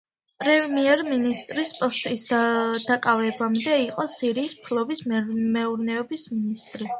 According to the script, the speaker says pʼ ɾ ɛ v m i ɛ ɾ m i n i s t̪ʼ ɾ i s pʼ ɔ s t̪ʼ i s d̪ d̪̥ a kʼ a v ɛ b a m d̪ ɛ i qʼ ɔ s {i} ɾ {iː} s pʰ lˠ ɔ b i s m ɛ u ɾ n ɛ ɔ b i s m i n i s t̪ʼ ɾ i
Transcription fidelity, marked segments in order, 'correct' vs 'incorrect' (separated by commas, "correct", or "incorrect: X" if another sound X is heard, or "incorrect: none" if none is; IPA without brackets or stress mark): correct, correct